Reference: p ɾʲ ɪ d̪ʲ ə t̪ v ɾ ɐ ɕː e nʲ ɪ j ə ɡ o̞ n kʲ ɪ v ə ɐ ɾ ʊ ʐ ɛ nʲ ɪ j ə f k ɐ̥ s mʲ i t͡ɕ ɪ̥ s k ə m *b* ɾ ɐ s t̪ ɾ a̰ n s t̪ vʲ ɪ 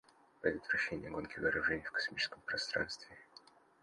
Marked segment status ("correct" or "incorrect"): incorrect